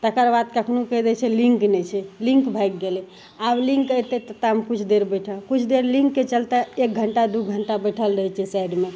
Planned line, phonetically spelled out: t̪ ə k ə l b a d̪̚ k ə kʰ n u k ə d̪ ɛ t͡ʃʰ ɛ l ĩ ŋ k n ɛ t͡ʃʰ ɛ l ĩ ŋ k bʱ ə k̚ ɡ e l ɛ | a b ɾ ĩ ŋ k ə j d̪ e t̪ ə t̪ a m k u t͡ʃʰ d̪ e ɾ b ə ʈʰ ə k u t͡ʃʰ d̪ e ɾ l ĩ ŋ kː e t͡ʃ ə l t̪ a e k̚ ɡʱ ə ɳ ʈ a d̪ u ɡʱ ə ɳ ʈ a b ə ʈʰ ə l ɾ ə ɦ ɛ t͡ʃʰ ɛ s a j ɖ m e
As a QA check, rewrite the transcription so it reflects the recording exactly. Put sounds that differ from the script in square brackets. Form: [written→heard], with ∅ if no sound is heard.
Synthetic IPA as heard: t̪ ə k ə [l→ɾ] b a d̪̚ k ə kʰ n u k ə d̪ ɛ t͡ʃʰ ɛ l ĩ ŋ k n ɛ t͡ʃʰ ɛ l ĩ ŋ k bʱ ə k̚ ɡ e l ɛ | a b [ɾ→l] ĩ ŋ k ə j [d̪→t̪] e t̪ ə t̪ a m k u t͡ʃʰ d̪ e ɾ b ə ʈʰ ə k u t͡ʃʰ d̪ e ɾ l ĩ ŋ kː e t͡ʃ ə l t̪ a e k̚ ɡʱ ə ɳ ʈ a d̪ u ɡʱ ə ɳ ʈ a b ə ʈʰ ə l ɾ ə ɦ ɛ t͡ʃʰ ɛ s a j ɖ m e